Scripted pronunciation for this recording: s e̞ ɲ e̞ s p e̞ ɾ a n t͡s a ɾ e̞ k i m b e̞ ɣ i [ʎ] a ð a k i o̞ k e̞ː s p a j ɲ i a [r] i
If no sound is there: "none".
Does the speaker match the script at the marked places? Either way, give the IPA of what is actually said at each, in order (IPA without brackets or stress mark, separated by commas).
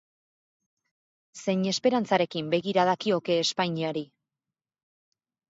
ɾ, ɾ